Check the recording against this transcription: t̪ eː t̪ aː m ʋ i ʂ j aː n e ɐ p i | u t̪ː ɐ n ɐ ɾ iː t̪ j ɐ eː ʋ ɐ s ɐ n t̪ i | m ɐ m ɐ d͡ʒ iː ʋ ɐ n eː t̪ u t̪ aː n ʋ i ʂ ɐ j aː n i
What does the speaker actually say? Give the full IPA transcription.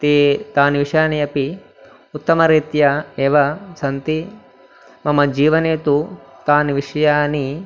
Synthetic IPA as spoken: t̪ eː t̪ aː n ʋ i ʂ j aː n i ɐ p i | u t̪ː ɐ m ɐ ɾ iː t̪ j ɐ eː ʋ ɐ s ɐ n t̪ i | m ɐ m ɐ d͡ʒ iː ʋ ɐ n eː t̪ u t̪ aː n ʋ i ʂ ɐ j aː n i